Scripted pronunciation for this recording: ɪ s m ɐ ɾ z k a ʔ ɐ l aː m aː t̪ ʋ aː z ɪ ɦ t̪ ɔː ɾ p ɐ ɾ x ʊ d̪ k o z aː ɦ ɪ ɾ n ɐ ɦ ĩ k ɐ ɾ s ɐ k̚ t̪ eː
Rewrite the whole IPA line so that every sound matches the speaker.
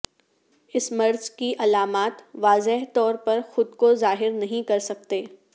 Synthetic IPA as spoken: ɪ s m ɐ ɾ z k i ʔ ɐ l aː m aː t̪ ʋ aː z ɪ ɦ t̪ ɔː ɾ p ɐ ɾ x ʊ d̪ k o z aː ɦ ɪ ɾ n ɐ ɦ ĩ k ɐ ɾ s ɐ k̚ t̪ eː